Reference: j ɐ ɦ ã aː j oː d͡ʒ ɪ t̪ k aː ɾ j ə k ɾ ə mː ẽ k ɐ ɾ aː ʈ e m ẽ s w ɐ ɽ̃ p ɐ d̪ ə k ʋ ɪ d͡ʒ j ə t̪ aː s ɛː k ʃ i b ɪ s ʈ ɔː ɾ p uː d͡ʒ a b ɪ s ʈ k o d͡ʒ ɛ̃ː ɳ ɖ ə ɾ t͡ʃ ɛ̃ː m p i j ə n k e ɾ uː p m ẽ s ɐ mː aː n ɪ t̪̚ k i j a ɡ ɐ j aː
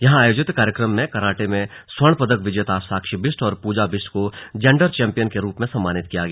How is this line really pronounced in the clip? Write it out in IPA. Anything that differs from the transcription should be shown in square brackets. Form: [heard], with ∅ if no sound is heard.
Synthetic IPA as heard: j ɐ ɦ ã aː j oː d͡ʒ ɪ t̪ k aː ɾ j ə k ɾ ə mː ẽ k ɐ ɾ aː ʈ e m ẽ s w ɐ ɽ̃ p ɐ d̪ ə k ʋ ɪ d͡ʒ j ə t̪ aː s [aː] k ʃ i b ɪ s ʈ ɔː ɾ p uː d͡ʒ a b ɪ s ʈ k o d͡ʒ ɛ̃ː ɳ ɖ ə ɾ t͡ʃ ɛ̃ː m p i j ə n k e ɾ uː p m ẽ s ɐ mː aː n ɪ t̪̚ k i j a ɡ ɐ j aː